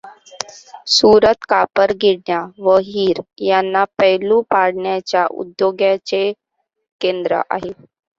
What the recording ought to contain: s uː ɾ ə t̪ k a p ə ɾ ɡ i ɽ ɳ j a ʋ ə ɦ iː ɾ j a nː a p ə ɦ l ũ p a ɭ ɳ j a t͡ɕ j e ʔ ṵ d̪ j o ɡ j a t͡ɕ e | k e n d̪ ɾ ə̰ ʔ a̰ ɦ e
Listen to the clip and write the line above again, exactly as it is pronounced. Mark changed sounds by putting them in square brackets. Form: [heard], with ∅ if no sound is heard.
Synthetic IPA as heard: s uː ɾ ə t̪ k a p ə ɾ ɡ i ɽ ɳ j a ʋ ə ɦ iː ɾ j a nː a p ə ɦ l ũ p a [ɽ] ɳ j a t͡ɕ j [a] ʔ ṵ d̪ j o ɡ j a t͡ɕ e | k e n d̪ ɾ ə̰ ʔ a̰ ɦ e